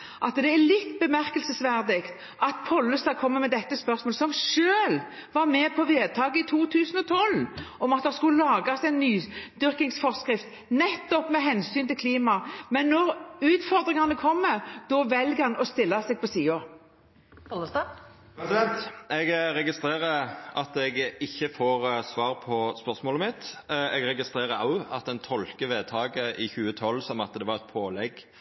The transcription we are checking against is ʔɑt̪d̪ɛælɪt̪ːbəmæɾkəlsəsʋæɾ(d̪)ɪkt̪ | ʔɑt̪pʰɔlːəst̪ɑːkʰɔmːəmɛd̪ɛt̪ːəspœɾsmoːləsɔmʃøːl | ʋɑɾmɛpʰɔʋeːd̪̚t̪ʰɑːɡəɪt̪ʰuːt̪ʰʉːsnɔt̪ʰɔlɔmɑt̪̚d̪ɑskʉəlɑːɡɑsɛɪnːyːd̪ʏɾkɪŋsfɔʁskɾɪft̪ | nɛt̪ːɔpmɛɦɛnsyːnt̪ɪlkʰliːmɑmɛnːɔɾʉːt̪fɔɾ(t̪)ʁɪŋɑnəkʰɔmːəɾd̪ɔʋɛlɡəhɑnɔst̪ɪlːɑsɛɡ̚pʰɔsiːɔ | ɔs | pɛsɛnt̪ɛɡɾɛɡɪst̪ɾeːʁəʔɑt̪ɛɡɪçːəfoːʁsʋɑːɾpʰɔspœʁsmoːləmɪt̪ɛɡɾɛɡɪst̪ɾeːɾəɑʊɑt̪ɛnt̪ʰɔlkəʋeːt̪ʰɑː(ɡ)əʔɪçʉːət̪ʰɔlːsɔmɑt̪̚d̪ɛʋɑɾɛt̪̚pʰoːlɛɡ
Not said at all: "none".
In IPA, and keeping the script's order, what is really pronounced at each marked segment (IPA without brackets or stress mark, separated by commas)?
d̪, d̪, ɡ